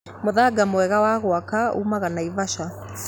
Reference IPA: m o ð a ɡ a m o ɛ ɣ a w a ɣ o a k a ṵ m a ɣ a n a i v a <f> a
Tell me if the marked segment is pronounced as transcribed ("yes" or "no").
no